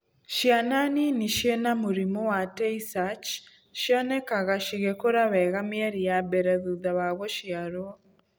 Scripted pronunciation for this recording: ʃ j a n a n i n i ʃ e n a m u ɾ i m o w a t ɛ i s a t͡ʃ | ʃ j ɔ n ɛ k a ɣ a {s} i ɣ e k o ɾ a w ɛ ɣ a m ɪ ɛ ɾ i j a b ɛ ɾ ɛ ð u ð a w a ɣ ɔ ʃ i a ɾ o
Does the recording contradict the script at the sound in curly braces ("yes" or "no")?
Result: yes